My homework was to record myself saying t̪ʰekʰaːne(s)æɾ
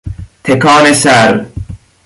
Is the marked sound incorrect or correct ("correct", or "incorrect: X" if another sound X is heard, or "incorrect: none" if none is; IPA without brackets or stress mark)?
correct